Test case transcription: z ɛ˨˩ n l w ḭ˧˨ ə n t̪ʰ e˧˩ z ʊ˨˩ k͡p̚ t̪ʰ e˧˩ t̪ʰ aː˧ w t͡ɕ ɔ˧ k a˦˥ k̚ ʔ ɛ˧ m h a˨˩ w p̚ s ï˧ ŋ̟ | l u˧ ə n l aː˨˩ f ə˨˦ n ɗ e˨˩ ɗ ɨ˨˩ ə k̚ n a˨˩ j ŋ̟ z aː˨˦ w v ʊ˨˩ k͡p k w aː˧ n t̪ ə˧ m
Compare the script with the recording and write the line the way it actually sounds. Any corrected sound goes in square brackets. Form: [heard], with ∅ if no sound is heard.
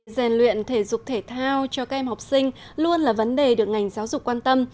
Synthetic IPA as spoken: z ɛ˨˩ n l w ḭ˧˨ ə n t̪ʰ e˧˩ z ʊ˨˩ k͡p̚ t̪ʰ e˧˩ t̪ʰ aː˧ w t͡ɕ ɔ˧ k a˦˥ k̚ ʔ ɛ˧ m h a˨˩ w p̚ s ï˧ ŋ̟ | l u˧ ə n l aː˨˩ [v] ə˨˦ n ɗ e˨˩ ɗ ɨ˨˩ ə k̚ [ŋ] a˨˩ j ŋ̟ z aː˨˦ w [z] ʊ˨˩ k͡p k w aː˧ n t̪ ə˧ m

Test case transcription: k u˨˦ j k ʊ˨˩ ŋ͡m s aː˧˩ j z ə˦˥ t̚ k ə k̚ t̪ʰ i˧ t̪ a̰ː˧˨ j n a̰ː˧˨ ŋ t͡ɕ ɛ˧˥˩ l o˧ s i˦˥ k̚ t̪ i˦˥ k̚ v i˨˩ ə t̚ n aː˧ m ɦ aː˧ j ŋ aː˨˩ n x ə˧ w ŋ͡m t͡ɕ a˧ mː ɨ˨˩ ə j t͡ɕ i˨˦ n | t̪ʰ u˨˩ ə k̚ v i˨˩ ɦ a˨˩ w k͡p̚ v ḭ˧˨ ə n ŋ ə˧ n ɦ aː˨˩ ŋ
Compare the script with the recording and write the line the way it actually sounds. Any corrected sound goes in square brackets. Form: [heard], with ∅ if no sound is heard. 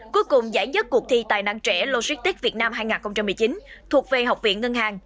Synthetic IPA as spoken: k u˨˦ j k ʊ˨˩ ŋ͡m [z] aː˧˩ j z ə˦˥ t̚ k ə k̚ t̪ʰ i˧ t̪ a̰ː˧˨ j n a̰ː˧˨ ŋ t͡ɕ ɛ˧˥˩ l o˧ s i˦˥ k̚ t̪ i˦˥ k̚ v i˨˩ ə t̚ n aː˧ m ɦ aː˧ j ŋ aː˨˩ n x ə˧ w ŋ͡m t͡ɕ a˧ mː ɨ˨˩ ə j t͡ɕ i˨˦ n | t̪ʰ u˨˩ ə k̚ v [e˨˩] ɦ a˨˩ w k͡p̚ v ḭ˧˨ ə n ŋ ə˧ n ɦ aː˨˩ ŋ

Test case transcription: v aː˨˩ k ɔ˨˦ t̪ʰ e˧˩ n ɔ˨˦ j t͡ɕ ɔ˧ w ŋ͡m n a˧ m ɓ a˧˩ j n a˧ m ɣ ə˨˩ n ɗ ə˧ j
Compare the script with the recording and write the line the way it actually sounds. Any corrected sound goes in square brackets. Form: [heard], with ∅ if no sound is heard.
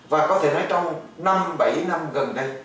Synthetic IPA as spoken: v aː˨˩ k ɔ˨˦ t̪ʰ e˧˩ n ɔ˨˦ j t͡ɕ ɔ˧ w ŋ͡m n a˧ m ɓ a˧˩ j n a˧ m ɣ ə˨˩ n ɗ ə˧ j

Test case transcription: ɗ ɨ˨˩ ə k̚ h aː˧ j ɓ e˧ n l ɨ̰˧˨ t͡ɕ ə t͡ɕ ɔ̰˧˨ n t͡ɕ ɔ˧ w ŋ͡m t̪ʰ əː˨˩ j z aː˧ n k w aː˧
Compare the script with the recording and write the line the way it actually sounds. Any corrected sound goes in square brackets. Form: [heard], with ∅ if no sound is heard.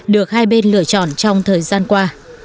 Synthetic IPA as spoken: ɗ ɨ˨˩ ə k̚ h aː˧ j ɓ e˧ n l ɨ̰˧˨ [∅] ə t͡ɕ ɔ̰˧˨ n t͡ɕ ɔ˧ w ŋ͡m t̪ʰ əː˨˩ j z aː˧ n k w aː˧

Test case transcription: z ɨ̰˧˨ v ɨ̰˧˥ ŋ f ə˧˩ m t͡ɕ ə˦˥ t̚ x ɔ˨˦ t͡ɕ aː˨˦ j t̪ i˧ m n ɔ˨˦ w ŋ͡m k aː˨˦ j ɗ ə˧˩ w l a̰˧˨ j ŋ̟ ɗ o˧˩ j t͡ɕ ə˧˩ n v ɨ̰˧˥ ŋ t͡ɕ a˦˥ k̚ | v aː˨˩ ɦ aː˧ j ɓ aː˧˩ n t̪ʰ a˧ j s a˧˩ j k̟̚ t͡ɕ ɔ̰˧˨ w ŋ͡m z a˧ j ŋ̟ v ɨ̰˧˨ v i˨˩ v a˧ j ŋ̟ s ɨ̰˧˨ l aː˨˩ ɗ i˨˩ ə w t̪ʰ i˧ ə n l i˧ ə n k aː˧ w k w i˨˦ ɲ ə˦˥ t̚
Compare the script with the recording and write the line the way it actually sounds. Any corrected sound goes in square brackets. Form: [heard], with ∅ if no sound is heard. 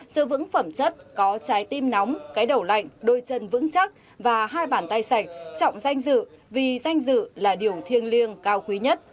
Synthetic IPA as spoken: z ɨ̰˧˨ v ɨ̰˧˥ ŋ f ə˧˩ m t͡ɕ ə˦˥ t̚ [k] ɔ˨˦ t͡ɕ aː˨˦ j t̪ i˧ m n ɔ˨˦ w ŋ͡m k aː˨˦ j ɗ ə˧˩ w l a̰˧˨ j ŋ̟ ɗ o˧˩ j t͡ɕ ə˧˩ n v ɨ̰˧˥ ŋ t͡ɕ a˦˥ k̚ | v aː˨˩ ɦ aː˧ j ɓ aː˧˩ n [t̪] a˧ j s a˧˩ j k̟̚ t͡ɕ ɔ̰˧˨ w ŋ͡m z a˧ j ŋ̟ [z] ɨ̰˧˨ v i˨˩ [z] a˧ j ŋ̟ [z] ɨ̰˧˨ l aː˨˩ ɗ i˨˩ ə w t̪ʰ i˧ ə n l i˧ ə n k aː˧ w k w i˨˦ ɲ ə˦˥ t̚

